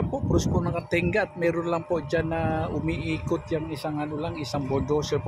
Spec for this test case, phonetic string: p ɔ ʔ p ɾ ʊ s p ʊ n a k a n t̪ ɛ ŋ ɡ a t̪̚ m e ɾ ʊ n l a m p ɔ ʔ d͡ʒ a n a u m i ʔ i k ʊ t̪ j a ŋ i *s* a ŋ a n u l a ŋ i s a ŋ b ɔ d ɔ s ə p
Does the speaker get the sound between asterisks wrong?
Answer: no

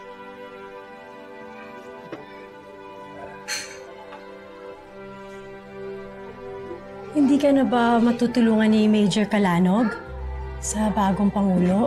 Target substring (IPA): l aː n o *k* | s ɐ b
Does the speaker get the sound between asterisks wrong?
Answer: yes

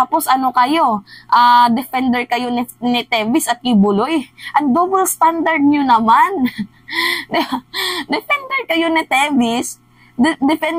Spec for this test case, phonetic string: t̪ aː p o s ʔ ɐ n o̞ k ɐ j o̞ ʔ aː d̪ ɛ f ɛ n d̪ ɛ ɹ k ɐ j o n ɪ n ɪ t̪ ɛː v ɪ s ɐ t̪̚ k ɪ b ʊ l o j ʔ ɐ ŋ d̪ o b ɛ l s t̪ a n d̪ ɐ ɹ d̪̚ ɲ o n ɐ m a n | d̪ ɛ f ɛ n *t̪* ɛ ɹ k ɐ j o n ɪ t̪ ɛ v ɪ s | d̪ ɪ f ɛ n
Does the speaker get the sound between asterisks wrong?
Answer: yes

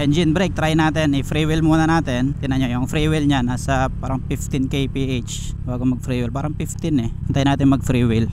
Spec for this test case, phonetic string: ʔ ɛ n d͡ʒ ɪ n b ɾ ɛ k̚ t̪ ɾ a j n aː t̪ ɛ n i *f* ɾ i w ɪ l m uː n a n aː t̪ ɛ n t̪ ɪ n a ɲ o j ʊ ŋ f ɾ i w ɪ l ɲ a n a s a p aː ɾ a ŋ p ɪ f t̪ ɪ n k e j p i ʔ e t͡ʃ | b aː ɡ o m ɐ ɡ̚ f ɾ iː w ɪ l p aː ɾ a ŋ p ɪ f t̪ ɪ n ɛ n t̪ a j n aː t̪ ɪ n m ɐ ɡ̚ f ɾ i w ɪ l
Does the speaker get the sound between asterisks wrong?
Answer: no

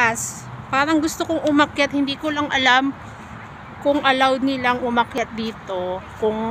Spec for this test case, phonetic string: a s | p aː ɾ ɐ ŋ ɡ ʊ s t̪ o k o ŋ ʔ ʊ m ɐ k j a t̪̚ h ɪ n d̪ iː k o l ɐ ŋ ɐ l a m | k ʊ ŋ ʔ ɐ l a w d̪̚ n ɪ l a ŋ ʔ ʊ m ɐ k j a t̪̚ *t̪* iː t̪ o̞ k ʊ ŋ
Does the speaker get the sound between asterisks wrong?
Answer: yes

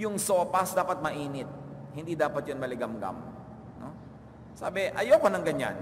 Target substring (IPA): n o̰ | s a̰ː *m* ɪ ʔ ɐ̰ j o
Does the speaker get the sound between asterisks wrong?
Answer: yes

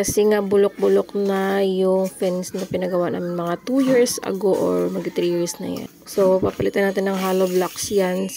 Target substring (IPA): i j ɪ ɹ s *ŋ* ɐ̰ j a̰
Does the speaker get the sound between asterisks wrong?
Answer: yes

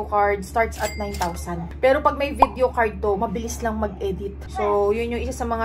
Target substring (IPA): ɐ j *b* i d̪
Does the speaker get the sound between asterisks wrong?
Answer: yes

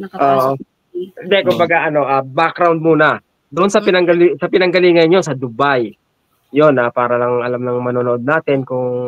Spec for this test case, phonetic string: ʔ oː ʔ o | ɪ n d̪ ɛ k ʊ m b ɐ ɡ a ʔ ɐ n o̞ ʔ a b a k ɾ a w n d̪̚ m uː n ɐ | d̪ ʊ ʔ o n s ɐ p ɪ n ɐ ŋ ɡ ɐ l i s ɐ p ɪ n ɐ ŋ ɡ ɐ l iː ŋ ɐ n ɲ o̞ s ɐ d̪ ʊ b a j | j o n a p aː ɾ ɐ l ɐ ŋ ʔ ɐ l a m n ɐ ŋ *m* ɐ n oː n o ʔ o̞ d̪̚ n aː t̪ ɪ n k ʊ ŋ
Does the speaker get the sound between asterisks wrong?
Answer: no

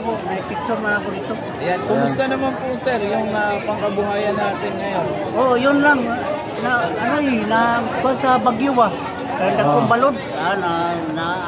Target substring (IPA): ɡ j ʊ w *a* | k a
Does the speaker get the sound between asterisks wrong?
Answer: no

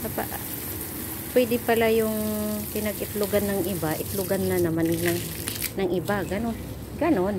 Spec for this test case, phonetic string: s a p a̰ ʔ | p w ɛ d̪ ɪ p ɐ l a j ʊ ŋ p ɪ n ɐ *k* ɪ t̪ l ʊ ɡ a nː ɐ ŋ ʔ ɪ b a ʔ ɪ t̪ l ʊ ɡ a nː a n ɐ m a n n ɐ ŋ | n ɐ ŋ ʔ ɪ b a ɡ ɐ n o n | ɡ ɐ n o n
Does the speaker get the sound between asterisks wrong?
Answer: yes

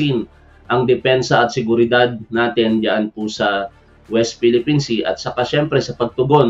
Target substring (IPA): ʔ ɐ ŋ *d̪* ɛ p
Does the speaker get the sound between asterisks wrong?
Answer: no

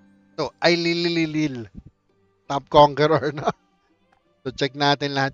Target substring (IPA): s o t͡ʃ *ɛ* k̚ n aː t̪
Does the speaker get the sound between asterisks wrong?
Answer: no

